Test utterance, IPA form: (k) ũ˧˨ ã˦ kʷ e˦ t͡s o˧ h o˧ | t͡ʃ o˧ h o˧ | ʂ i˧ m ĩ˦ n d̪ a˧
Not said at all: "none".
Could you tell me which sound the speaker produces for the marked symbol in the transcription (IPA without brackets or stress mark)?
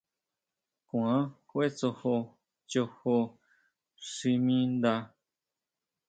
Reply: k